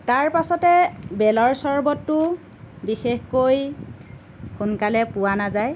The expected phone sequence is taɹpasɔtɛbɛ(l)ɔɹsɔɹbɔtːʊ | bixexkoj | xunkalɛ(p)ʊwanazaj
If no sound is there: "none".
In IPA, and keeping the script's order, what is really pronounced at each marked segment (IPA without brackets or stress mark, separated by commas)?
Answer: l, p